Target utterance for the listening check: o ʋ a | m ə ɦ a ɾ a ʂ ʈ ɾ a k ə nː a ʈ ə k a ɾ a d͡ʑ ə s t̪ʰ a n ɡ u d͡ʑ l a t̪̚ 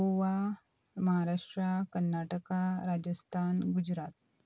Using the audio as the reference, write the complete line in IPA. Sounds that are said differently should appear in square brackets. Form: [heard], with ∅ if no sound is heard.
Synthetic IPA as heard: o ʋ a | m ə ɦ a ɾ a ʂ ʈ ɾ a k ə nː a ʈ ə k a ɾ a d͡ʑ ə s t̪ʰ a n ɡ u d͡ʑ [ɾ] a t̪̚

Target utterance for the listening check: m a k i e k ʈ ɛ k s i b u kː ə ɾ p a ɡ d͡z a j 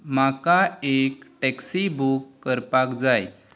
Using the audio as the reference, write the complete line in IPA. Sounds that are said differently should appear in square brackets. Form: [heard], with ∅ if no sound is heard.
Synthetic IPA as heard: m a k [a] e k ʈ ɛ k s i b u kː ə ɾ p a [k] d͡z a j

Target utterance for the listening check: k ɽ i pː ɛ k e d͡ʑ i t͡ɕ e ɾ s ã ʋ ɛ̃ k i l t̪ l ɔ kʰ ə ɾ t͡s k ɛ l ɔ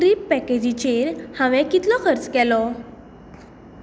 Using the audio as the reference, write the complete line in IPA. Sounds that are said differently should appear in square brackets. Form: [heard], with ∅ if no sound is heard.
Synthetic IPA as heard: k [ɾ] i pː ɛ k e d͡ʑ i t͡ɕ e ɾ [h] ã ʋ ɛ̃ k i [∅] t̪ l ɔ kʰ ə ɾ t͡s k ɛ l ɔ

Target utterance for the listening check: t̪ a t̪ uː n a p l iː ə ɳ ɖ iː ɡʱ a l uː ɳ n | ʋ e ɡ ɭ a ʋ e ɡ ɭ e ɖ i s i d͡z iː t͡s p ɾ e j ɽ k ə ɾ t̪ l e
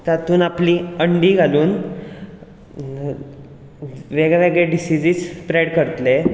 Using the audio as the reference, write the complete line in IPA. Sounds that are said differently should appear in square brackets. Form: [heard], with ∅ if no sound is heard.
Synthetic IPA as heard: t̪ a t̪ uː n a p l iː ə ɳ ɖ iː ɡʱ a l uː [∅] n | ʋ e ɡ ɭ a ʋ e ɡ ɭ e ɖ i s i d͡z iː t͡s p ɾ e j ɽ k ə ɾ t̪ l e

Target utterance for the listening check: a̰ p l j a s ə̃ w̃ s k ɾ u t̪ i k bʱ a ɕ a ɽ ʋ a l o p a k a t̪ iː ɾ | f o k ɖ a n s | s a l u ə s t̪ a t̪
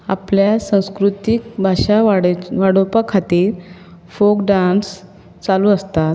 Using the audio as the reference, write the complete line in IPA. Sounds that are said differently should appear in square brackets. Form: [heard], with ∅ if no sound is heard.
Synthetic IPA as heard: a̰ p l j a s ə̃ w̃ s k ɾ u t̪ i k bʱ a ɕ a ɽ ʋ a [ɽ] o p a [kʰ] a t̪ iː ɾ | f o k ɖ a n s | [t͡s] a l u ə s t̪ a t̪

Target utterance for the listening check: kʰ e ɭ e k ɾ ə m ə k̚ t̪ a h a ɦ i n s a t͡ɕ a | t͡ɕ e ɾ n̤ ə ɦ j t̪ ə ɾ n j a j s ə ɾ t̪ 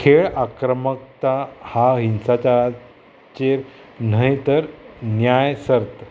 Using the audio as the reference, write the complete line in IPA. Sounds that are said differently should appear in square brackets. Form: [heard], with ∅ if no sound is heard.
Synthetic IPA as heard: kʰ e ɭ [a] k ɾ ə m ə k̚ t̪ a h a ɦ i n s a t͡ɕ a | t͡ɕ e ɾ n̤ ə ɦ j t̪ ə ɾ n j a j s ə ɾ t̪

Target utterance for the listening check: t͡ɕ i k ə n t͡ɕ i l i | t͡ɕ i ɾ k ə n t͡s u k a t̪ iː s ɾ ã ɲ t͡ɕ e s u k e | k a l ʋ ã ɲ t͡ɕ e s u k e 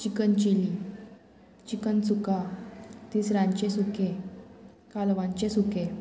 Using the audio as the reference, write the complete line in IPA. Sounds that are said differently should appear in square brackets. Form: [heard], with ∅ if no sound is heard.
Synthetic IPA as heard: t͡ɕ i k ə n t͡ɕ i l i | t͡ɕ i [∅] k ə n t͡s u k a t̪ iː s ɾ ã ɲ t͡ɕ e s u k e | k a l ʋ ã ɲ t͡ɕ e s u k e

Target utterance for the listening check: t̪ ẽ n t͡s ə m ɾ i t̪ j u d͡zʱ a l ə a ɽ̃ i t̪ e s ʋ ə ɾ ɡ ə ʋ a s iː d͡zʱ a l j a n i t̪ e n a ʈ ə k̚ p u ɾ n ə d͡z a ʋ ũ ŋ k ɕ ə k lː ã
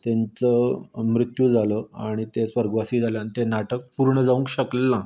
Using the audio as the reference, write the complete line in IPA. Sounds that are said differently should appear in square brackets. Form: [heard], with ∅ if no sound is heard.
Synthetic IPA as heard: t̪ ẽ n t͡s ə m ɾ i t̪ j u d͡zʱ a l ə a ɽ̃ i t̪ e s ʋ ə ɾ ɡ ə ʋ a s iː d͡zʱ a l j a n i t̪ e n a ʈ ə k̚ p u ɾ [ɳ] ə d͡z a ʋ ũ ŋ k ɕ ə k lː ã

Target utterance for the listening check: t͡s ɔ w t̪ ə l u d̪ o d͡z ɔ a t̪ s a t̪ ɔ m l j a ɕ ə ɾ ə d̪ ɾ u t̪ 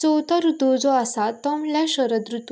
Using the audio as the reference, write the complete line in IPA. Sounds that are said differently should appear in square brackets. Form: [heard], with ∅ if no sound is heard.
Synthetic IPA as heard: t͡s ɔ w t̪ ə [ɾ] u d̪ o d͡z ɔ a [∅] s a t̪ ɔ m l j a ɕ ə ɾ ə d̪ ɾ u t̪

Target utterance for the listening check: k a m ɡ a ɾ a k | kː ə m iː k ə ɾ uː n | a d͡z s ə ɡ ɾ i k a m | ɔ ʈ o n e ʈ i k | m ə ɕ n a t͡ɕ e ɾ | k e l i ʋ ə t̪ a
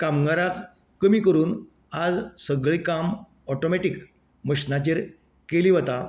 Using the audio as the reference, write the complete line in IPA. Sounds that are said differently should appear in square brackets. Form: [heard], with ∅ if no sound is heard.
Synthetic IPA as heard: k a m ɡ a ɾ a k | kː ə m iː k ə ɾ uː n | a d͡z s ə ɡ [ɭ] i k a m | ɔ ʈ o [m] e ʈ i k | m ə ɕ n a t͡ɕ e ɾ | k e l i ʋ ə t̪ a

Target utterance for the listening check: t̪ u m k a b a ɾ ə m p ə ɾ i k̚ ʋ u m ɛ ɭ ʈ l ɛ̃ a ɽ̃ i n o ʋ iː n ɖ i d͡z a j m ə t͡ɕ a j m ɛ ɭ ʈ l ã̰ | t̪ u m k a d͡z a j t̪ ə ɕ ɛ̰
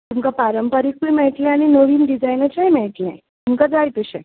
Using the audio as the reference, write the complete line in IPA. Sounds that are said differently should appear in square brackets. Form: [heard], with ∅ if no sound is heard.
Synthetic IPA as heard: t̪ u m k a [p] a ɾ ə m p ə ɾ i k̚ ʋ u m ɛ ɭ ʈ l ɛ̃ a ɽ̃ i n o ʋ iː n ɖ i d͡z a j [n] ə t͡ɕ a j m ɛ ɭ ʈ l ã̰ | t̪ u m k a d͡z a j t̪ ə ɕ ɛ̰

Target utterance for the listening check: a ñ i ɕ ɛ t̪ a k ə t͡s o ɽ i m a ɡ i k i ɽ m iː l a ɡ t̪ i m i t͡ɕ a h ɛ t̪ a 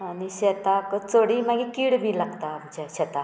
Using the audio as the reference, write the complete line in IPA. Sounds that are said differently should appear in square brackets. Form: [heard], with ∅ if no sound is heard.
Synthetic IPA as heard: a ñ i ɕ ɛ t̪ a k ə t͡s o ɽ i m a ɡ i k i ɽ m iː l a ɡ t̪ [a] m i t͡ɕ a [ɕ] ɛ t̪ a

